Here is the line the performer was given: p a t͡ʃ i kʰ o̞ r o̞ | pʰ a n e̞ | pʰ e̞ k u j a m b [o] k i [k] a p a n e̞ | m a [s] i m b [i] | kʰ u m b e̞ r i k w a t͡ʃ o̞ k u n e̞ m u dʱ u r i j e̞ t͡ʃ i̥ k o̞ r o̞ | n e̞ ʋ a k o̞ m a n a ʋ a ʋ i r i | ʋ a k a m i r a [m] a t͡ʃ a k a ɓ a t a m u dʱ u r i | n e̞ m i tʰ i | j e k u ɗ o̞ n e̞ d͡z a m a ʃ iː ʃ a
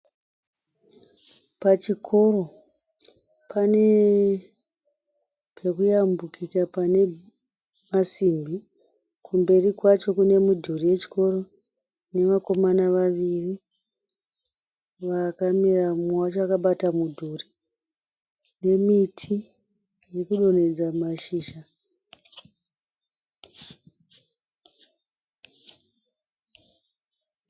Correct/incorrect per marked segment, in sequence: incorrect: u, correct, correct, correct, correct

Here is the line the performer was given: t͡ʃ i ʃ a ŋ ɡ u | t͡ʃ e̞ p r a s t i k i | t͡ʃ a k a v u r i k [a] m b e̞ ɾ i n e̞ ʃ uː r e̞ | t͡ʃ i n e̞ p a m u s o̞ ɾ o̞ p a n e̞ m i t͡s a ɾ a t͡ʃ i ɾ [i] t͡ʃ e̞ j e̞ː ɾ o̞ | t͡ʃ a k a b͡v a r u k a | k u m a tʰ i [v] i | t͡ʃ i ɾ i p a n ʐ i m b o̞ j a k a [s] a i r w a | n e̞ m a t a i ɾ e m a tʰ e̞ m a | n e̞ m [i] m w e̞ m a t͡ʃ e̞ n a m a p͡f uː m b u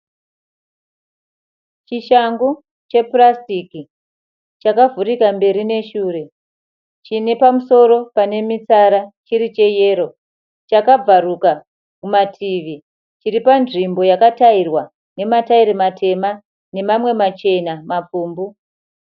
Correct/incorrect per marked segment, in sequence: correct, correct, incorrect: ʋ, incorrect: t, incorrect: a

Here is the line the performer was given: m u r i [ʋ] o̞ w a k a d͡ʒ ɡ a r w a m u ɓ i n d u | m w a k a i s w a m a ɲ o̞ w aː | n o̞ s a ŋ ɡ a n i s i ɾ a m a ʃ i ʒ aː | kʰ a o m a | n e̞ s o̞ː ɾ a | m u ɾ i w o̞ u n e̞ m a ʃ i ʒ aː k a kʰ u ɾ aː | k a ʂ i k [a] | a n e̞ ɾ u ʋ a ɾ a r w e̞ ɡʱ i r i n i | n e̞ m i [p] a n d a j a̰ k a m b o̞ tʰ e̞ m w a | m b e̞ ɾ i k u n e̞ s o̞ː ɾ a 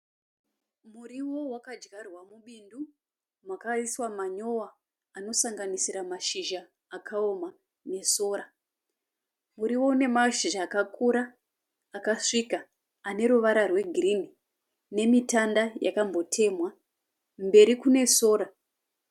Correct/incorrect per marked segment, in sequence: incorrect: w, correct, incorrect: t

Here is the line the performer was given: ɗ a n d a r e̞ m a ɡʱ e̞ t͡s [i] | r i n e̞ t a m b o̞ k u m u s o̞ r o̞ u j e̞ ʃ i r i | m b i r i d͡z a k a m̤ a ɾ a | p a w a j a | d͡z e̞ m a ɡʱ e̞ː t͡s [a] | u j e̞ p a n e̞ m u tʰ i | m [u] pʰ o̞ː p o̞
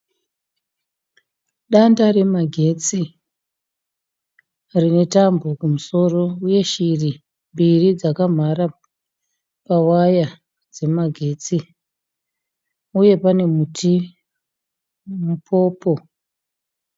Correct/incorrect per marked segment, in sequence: correct, incorrect: i, correct

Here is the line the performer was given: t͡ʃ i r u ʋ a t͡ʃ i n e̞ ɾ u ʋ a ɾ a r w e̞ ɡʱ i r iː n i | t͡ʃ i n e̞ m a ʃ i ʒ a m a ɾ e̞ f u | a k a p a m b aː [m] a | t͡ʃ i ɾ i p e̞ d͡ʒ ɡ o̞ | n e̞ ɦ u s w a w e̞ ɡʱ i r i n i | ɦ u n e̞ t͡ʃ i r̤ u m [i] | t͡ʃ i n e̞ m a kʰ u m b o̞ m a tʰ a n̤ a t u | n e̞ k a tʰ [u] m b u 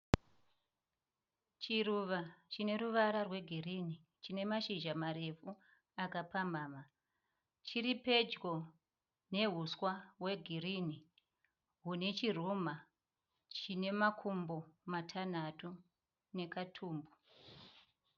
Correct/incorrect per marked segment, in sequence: correct, incorrect: a, incorrect: uː

